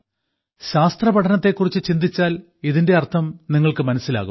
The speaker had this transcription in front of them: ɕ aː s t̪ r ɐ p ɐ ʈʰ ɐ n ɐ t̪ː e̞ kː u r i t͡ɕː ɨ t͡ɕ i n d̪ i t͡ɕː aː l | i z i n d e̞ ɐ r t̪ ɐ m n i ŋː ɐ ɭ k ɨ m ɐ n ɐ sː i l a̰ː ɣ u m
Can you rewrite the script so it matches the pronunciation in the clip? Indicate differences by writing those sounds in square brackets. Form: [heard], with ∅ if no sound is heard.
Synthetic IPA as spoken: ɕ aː s t̪ r ɐ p ɐ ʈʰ ɐ n ɐ t̪ː e̞ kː u r i t͡ɕː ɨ t͡ɕ i n d̪ i t͡ɕː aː l | i [ð] i n d e̞ ɐ r [t̪ʰ] ɐ m n i ŋː ɐ ɭ k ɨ m ɐ n ɐ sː i l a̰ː ɣ u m